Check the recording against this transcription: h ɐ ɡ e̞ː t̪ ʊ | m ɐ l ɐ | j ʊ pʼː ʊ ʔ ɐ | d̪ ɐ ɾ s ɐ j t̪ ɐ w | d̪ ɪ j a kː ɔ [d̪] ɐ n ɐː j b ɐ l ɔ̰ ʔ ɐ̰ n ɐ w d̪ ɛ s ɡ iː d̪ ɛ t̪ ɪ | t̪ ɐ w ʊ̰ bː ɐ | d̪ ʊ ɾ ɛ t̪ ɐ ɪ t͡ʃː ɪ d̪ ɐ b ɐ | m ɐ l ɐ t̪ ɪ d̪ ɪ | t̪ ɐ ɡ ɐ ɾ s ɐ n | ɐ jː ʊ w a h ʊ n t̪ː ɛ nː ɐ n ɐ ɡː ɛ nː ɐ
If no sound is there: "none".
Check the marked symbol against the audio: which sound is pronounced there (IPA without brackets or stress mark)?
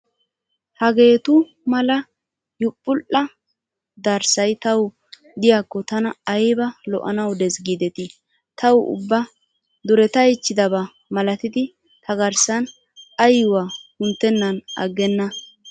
t̪